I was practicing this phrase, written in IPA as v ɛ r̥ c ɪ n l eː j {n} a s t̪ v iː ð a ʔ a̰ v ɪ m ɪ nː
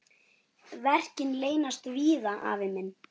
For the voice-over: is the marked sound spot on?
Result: yes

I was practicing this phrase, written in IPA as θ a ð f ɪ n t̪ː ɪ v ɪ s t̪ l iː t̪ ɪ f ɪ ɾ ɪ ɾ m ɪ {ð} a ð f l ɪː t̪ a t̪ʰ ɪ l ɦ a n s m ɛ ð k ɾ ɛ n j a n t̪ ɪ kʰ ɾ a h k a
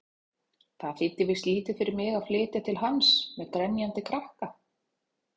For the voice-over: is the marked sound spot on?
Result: no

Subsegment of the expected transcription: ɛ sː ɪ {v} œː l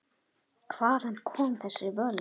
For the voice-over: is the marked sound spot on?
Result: yes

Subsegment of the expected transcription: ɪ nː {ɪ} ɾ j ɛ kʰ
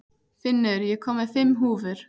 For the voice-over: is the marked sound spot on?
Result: yes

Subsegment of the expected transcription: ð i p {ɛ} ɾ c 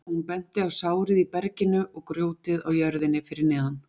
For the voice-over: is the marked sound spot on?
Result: yes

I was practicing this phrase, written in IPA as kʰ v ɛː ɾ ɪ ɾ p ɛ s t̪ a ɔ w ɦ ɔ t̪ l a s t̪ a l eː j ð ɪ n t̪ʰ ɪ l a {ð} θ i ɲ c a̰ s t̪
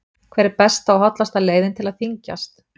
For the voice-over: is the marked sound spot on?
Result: yes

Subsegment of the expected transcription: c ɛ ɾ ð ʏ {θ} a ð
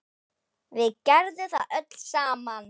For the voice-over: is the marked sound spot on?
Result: yes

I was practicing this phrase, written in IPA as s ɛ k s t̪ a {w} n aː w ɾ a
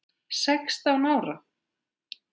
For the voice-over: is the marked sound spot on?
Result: yes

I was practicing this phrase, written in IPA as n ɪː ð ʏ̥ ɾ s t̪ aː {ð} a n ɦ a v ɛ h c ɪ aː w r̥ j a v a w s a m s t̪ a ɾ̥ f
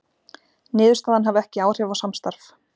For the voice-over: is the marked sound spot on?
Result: yes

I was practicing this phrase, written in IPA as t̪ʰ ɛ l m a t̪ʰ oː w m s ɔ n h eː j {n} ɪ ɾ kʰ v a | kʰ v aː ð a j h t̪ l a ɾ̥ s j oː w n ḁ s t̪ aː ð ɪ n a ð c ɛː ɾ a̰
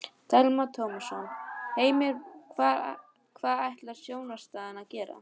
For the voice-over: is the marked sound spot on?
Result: no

